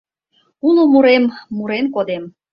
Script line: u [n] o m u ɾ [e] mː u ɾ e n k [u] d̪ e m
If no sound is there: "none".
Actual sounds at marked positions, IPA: n, e, o

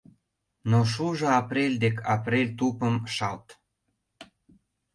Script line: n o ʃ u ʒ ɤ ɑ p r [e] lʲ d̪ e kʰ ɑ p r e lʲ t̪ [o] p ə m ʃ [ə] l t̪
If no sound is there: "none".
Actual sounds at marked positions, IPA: e, u, ɑ

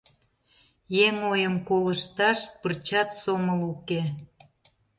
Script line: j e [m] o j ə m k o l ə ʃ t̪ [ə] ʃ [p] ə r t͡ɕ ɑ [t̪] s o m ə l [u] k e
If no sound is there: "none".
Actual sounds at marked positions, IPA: ŋ, ɑ, p, t̪, u

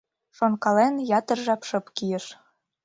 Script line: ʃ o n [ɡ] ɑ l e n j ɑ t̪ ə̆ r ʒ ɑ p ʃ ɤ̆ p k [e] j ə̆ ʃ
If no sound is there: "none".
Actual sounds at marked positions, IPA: k, i

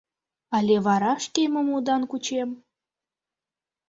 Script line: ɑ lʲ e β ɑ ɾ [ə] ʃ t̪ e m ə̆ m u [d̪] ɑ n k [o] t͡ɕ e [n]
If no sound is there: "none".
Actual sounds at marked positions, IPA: ɑ, d̪, u, m

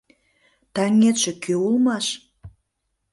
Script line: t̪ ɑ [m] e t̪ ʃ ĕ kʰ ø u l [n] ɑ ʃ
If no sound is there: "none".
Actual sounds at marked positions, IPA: ŋ, m

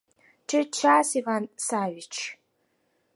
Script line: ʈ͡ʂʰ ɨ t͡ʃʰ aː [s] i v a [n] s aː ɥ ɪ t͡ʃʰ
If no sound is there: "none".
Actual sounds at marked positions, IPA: s, n

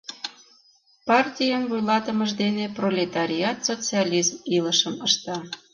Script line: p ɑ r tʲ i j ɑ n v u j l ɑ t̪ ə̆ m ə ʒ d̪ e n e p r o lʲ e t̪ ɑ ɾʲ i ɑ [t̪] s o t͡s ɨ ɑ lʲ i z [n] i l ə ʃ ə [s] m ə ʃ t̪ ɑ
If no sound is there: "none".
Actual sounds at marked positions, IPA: t̪, m, none

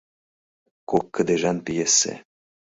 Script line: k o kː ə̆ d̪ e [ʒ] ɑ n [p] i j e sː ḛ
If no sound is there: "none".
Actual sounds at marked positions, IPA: ʒ, p

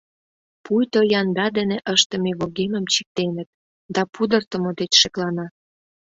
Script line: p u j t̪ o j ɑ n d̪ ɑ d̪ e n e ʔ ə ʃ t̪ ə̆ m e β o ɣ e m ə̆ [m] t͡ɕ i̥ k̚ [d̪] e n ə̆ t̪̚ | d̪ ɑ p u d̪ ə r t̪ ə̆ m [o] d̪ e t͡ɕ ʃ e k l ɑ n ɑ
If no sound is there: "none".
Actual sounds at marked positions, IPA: m, t̪, o

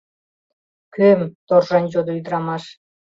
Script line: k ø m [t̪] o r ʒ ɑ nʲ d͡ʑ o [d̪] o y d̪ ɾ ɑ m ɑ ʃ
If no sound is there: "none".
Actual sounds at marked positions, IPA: t̪, d̪

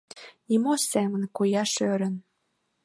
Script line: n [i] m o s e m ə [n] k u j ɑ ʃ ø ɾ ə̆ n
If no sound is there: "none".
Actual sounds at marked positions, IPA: i, n

